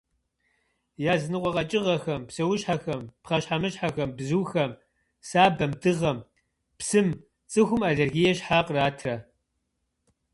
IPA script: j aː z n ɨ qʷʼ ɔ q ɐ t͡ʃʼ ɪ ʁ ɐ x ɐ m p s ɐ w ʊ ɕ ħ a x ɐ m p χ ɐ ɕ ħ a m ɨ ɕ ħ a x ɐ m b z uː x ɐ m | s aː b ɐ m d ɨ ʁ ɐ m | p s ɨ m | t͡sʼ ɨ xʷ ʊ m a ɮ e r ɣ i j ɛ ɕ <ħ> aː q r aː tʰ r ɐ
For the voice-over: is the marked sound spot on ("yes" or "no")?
yes